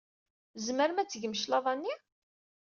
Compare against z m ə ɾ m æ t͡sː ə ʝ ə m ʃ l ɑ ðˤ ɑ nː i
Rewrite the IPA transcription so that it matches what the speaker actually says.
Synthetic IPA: z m ə ɾ m æ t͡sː ə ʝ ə m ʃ l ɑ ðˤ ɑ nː i